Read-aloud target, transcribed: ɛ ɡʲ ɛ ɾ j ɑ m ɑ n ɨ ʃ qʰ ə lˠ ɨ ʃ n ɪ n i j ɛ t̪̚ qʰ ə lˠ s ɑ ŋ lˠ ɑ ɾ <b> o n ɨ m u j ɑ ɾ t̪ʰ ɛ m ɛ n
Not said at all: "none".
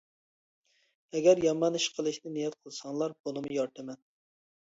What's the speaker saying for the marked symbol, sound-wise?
b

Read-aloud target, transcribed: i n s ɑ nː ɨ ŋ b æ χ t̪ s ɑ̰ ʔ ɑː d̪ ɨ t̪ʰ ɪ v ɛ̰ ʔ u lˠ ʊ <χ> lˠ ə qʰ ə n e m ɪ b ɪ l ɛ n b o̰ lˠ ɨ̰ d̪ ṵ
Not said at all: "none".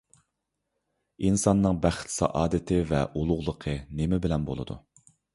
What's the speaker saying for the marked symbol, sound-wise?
ʁ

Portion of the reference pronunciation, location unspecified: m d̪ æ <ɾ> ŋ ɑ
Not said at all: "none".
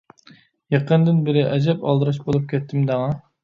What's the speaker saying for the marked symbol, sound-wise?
none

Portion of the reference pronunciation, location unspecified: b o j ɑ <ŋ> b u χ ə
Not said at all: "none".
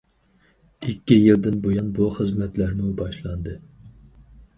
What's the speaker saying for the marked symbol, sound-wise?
n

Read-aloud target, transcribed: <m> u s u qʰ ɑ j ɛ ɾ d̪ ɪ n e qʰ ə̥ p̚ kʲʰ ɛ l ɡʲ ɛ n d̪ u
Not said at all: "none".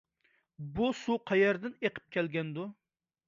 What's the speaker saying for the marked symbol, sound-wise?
b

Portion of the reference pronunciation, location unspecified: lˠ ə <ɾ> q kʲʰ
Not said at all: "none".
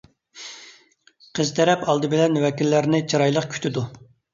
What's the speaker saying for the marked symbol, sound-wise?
none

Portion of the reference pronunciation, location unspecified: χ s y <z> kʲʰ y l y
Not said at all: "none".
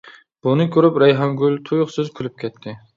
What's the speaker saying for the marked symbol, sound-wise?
z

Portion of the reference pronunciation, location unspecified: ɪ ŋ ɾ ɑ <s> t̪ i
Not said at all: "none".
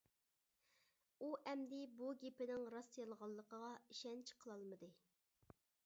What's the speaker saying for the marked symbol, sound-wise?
s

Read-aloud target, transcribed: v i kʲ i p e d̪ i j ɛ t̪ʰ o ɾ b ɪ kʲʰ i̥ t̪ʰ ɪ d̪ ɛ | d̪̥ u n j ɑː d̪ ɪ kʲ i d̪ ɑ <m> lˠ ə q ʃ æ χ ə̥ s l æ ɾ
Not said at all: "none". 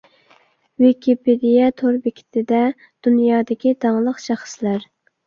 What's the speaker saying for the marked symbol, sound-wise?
ŋ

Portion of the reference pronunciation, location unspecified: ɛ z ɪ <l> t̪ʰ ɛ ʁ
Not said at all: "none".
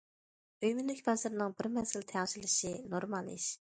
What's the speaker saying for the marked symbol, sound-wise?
l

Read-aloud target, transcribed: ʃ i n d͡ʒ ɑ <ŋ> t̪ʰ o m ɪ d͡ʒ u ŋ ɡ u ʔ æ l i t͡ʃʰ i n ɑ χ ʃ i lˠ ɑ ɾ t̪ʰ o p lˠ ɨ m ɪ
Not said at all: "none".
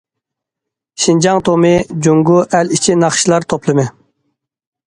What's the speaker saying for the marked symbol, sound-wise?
ŋ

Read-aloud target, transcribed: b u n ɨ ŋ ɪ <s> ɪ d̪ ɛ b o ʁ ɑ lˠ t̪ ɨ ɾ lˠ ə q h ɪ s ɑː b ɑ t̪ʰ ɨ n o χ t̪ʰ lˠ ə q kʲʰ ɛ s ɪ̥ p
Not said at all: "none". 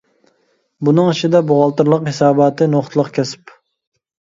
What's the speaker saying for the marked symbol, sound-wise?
ʃ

